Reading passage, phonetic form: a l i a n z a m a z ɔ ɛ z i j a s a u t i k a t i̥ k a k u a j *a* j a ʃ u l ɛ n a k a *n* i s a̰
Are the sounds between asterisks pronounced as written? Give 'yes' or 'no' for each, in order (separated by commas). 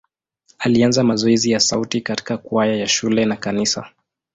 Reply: yes, yes